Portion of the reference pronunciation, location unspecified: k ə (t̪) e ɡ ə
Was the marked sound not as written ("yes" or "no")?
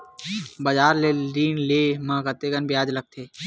no